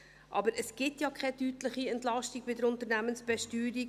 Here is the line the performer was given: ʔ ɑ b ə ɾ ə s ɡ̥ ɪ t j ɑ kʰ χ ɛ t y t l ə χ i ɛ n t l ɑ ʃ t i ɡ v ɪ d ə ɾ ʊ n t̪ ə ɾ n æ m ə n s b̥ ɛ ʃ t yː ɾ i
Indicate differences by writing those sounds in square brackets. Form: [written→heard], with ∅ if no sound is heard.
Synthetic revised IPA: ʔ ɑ b ə ɾ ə s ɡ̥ ɪ t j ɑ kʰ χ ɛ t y t l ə χ i ɛ n t l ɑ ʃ t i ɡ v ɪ d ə ɾ ʊ n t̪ ə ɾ n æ m ə n s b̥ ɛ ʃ t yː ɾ i